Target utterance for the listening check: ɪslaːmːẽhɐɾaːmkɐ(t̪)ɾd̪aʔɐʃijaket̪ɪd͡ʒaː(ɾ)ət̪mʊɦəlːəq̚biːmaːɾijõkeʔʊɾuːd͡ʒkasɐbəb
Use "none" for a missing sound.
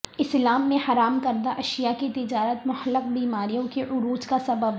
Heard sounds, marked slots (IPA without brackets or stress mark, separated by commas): none, ɾ